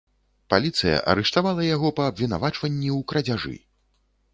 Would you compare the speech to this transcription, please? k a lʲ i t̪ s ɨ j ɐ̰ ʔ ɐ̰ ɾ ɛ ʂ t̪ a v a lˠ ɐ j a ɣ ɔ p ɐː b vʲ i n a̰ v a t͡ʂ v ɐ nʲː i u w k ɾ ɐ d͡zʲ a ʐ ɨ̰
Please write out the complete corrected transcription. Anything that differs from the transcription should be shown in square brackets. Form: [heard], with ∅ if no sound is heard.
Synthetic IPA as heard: [p] a lʲ i t̪ s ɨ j ɐ̰ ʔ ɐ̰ ɾ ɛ ʂ t̪ a v a lˠ ɐ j a ɣ ɔ p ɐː b vʲ i n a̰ v a t͡ʂ v ɐ nʲː i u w k ɾ ɐ d͡zʲ a ʐ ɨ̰